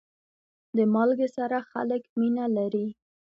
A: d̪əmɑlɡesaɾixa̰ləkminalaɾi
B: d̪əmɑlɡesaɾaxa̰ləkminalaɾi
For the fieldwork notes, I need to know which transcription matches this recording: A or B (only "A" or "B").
B